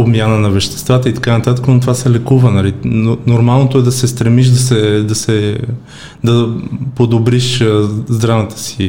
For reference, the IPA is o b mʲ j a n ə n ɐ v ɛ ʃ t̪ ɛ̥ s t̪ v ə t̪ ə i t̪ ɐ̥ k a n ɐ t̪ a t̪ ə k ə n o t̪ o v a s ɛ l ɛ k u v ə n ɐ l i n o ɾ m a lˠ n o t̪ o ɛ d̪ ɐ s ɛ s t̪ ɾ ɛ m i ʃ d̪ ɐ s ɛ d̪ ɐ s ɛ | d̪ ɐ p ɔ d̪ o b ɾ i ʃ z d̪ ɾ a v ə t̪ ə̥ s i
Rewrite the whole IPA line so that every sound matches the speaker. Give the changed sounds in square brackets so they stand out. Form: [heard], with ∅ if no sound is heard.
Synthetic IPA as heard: o b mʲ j a n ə n ɐ v ɛ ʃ t̪ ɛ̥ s t̪ v [a] t̪ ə i t̪ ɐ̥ k a n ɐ t̪ a t̪ ə k ə n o t̪ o v a s ɛ l ɛ k u v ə n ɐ l i n o ɾ m a lˠ n o t̪ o ɛ d̪ ɐ s ɛ s t̪ ɾ ɛ m i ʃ d̪ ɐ s ɛ d̪ ɐ s ɛ | d̪ ɐ p [o] d̪ o b ɾ i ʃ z d̪ ɾ a v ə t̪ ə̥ s i